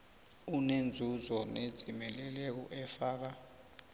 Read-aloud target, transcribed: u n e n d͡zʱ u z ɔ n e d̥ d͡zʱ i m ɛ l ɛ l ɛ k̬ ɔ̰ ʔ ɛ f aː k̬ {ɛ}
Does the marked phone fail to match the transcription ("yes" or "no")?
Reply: yes